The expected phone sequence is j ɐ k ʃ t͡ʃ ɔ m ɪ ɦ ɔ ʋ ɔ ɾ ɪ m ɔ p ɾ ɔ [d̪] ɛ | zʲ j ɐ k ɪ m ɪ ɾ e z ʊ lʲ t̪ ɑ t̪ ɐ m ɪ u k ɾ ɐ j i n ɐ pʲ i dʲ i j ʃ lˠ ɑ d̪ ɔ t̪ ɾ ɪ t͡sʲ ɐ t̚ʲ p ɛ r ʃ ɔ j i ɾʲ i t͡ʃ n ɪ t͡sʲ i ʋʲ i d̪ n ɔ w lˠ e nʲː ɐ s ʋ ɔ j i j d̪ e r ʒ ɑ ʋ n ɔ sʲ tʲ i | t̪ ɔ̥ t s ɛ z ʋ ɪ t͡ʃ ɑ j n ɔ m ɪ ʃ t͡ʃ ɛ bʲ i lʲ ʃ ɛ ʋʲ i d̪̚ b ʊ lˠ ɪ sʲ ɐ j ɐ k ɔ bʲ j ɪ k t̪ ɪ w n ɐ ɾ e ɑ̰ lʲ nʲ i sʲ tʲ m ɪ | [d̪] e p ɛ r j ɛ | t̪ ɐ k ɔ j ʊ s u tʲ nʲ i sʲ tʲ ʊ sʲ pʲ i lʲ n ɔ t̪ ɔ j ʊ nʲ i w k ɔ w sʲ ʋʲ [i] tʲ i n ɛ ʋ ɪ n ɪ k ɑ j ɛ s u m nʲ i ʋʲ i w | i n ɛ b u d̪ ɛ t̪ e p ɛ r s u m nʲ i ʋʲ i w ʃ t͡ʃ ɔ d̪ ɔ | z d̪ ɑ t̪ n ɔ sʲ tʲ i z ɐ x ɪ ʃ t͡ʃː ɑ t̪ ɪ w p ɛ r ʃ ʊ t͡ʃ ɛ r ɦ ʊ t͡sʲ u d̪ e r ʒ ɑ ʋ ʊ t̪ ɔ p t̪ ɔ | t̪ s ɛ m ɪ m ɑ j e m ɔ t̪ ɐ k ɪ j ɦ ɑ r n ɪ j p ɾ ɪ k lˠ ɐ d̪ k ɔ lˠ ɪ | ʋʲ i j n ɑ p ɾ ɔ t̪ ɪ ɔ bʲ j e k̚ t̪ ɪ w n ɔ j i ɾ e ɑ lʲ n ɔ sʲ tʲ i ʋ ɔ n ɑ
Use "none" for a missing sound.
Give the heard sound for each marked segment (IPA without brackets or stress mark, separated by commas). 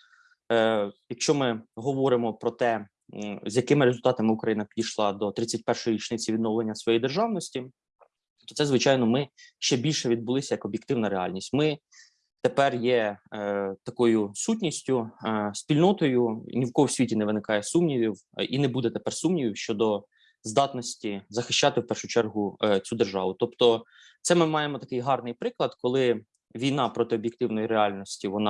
t̪, t̪, i